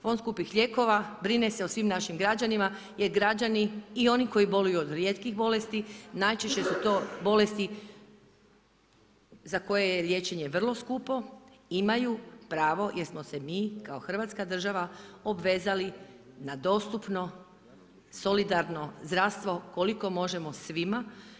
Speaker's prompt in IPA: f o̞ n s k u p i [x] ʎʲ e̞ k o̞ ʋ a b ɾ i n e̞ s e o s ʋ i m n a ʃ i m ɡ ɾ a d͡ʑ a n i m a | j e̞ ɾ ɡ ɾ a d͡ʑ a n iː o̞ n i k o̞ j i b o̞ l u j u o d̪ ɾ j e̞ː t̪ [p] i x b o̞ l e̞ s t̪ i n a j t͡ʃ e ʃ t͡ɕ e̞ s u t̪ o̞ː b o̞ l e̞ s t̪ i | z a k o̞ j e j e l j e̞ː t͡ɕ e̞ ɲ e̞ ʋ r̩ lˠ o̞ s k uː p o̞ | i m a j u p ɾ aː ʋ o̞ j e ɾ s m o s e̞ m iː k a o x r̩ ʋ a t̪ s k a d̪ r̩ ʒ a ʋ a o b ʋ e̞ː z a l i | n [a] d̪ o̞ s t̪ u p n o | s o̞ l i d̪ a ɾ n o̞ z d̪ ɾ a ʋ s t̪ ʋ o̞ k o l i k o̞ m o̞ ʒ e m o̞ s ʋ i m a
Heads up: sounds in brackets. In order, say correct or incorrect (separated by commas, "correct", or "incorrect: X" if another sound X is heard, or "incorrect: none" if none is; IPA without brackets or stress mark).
correct, incorrect: k, correct